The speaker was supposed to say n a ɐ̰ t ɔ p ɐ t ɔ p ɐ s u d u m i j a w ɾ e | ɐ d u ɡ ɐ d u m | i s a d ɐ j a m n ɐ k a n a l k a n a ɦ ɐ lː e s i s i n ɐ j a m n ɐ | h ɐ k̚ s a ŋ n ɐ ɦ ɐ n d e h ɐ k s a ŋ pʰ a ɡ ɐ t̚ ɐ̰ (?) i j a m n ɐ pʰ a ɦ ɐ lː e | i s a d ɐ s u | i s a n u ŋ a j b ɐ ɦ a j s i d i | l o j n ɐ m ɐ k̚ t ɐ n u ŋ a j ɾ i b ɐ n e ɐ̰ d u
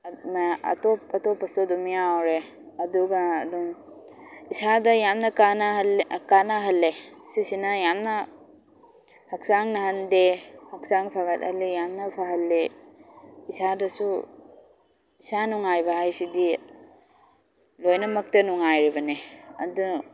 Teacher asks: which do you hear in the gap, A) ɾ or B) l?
B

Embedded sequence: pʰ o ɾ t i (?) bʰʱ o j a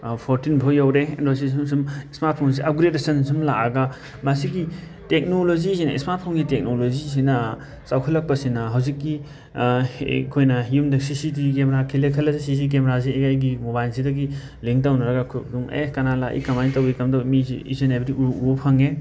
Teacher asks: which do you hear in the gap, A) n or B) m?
A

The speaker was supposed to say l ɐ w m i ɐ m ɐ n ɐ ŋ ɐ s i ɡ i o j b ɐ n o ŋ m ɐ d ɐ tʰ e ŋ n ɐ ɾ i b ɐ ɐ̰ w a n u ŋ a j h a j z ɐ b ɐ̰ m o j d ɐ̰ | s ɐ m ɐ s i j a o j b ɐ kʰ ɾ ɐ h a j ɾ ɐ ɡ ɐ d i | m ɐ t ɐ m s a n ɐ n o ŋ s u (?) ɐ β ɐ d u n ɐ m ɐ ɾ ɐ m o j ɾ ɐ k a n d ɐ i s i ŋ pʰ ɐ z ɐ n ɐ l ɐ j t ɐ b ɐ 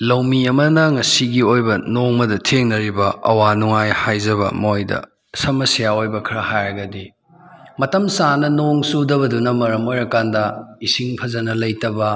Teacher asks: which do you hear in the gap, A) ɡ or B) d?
B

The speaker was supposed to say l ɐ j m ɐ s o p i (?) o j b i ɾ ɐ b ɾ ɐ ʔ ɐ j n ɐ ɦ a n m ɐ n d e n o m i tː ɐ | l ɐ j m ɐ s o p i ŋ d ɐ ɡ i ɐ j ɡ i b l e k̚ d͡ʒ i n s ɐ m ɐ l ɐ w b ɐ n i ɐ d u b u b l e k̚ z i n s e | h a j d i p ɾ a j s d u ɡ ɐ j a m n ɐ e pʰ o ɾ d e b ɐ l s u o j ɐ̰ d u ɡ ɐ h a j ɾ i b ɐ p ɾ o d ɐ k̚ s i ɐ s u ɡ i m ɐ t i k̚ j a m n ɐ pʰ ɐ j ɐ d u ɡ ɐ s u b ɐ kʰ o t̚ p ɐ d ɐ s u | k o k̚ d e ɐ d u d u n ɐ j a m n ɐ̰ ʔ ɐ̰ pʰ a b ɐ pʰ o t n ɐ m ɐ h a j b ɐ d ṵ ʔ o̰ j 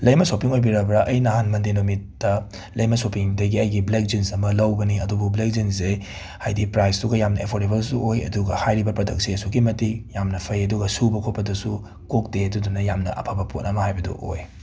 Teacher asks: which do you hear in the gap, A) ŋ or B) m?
A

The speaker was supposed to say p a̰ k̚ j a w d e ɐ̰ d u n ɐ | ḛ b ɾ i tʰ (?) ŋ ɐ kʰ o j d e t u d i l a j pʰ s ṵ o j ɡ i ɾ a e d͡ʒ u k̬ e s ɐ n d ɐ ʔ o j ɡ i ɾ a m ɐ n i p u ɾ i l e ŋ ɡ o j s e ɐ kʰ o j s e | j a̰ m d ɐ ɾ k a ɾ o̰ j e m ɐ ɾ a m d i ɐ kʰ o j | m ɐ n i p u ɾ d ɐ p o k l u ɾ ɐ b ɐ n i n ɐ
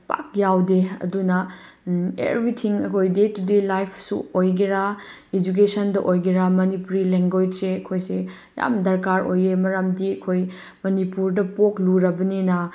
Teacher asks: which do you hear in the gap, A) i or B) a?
A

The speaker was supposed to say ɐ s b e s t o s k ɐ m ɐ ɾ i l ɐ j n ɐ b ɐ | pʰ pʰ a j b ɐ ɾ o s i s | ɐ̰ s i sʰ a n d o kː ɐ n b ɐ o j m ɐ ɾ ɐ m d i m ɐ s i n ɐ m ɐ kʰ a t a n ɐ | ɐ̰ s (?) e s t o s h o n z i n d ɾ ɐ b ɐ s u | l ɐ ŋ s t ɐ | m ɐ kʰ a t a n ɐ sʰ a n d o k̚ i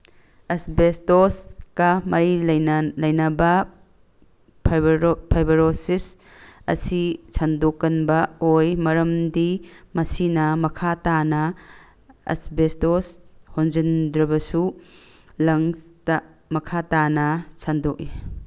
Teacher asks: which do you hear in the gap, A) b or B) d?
A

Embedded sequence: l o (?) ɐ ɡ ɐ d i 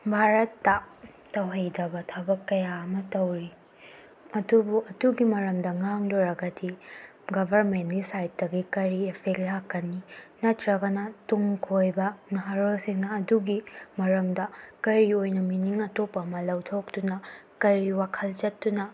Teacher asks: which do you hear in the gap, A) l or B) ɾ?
B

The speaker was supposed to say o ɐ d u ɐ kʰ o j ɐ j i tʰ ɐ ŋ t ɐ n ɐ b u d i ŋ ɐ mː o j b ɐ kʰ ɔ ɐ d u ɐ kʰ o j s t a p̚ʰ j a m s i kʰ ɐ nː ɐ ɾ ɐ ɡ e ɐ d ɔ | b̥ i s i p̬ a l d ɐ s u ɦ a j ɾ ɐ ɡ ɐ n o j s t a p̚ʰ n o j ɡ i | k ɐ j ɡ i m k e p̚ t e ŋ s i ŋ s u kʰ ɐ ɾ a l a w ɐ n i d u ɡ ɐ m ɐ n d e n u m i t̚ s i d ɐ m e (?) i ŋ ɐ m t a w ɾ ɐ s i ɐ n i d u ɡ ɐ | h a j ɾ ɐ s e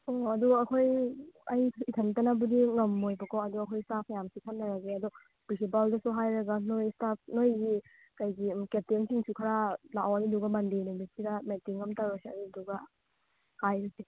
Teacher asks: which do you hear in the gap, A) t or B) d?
A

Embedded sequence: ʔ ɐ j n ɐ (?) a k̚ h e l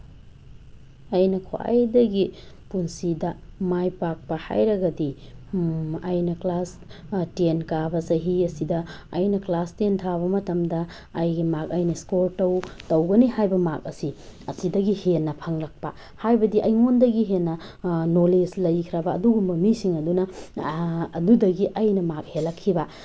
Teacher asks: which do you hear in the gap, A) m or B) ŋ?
A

